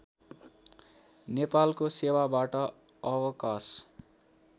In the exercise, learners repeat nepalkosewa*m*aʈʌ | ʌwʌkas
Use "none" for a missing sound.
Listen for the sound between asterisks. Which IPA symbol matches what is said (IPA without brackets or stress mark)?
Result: b